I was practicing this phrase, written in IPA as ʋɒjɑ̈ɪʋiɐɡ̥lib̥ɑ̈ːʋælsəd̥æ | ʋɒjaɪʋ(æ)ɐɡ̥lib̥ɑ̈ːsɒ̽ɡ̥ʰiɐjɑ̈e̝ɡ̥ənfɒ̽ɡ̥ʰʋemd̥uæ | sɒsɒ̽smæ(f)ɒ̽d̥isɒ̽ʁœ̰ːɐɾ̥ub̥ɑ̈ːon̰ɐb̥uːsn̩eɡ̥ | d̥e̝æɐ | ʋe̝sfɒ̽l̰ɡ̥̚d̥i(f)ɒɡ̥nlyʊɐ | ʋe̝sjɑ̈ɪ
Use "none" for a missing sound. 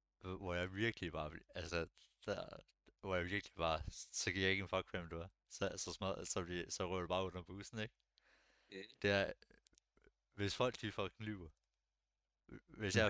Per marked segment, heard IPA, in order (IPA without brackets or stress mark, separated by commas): i, s, f